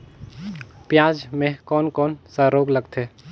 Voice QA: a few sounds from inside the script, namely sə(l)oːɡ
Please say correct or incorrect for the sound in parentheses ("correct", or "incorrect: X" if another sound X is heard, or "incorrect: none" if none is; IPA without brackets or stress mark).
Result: incorrect: ɾ